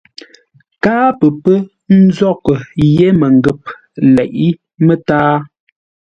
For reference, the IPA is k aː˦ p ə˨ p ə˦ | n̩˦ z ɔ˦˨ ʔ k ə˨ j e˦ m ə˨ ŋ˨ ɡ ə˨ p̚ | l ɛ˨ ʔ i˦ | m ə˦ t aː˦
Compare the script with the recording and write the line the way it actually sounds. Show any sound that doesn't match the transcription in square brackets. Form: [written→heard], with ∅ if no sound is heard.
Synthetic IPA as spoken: k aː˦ p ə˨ p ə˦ | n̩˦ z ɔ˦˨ [ʔ→∅] k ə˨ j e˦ m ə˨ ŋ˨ ɡ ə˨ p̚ | l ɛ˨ ʔ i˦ | m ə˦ t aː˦

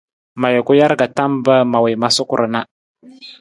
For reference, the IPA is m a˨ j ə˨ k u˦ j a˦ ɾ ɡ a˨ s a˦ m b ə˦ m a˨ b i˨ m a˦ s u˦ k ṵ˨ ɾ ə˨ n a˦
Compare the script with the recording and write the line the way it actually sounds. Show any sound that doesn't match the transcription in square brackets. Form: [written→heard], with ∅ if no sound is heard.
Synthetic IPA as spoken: m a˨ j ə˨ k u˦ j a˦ ɾ ɡ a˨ [s→t] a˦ m b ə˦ m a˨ [b→w] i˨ m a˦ s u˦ k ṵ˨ ɾ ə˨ n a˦

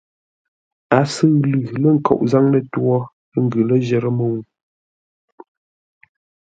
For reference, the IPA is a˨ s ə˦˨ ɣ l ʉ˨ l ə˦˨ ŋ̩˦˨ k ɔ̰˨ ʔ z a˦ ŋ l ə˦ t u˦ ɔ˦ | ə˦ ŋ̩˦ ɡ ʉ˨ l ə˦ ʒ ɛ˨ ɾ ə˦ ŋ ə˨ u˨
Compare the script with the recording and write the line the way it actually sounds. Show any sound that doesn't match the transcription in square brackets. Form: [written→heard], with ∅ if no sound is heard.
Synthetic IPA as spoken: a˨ s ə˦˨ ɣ l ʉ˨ l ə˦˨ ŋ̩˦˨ k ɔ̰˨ ʔ z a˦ ŋ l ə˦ t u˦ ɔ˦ | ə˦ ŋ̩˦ ɡ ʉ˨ l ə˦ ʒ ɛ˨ ɾ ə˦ [ŋ→m] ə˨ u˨

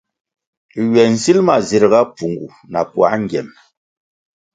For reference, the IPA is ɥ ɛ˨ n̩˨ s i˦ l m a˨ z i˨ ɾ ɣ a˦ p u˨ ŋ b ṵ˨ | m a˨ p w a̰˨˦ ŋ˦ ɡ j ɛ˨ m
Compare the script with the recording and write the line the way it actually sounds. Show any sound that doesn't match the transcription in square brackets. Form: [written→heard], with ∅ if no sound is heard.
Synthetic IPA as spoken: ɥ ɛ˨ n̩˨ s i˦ l m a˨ z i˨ ɾ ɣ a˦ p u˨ ŋ [b→ɡ] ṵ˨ | [m→n] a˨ p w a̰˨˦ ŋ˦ ɡ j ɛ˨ m

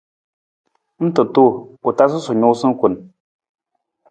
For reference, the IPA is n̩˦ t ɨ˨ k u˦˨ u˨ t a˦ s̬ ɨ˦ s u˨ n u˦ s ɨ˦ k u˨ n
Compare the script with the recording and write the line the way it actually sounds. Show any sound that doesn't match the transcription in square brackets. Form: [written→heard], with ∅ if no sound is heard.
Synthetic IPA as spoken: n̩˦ t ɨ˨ [k→t] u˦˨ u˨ t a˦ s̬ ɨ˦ s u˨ [n→ɲ] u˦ s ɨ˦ k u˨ n

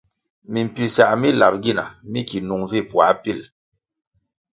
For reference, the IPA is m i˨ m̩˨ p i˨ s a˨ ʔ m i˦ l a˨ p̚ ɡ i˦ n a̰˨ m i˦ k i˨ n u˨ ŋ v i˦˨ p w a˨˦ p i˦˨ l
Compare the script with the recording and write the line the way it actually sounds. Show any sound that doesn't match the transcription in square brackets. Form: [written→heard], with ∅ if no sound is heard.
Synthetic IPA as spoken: m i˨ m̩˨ p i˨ s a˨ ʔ m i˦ l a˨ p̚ ɡ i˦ n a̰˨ m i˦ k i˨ n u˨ ŋ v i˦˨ p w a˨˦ p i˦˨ l

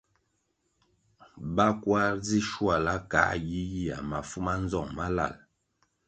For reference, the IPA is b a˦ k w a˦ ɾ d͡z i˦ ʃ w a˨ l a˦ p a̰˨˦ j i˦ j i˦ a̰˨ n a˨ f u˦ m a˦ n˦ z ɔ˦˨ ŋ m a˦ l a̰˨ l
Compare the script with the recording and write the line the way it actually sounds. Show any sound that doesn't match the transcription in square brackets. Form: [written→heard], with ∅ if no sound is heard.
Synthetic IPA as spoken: b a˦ k w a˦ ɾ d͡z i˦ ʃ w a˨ l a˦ [p→k] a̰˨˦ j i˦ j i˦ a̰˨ [n→m] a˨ f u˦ m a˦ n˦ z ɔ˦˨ ŋ m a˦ l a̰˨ l

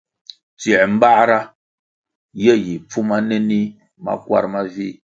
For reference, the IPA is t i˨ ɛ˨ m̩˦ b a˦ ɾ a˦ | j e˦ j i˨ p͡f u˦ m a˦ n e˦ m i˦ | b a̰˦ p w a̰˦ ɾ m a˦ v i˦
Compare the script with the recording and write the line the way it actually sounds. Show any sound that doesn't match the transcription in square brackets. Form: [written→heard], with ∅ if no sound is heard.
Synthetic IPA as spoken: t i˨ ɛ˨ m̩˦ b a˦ ɾ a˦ | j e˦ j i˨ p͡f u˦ m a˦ n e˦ [m→n] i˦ | [b→m] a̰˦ [p→k] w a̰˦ ɾ m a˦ v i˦

